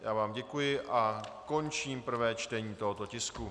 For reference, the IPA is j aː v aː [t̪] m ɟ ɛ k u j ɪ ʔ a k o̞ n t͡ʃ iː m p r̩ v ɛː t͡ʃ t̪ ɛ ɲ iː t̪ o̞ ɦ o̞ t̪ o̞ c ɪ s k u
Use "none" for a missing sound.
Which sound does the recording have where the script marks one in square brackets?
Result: none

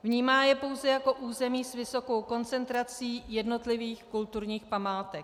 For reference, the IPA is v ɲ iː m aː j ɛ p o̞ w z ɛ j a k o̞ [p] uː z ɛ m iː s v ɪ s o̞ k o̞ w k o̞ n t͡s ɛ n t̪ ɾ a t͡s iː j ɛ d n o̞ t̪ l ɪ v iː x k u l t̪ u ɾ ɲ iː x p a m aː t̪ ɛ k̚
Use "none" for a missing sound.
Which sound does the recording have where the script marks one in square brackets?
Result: ʔ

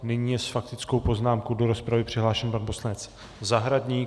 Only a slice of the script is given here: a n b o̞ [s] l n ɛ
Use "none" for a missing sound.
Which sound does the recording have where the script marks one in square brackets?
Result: s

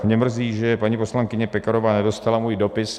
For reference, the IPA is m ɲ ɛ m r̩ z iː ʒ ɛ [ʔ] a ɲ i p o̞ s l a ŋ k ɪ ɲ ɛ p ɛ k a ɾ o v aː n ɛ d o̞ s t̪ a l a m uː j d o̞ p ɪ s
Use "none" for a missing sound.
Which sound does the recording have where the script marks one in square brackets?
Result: p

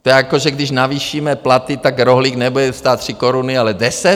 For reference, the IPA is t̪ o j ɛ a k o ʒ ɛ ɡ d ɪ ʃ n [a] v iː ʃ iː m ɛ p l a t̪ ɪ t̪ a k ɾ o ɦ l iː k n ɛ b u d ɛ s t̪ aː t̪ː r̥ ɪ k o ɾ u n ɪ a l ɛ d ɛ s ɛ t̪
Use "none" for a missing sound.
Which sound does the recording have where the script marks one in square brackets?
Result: a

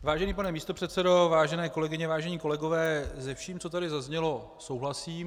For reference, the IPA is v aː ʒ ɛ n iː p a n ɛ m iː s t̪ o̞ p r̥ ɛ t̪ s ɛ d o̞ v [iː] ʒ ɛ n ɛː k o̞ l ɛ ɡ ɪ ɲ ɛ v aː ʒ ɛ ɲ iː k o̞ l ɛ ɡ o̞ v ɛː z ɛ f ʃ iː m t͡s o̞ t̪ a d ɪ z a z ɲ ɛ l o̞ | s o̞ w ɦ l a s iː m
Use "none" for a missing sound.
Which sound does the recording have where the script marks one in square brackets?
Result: aː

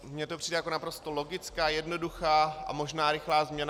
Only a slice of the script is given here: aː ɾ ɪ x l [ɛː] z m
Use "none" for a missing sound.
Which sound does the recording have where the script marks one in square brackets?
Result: aː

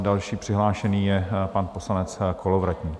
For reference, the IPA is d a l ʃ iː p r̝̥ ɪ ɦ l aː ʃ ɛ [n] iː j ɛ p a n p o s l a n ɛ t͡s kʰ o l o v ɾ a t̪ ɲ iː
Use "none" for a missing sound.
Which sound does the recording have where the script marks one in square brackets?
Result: n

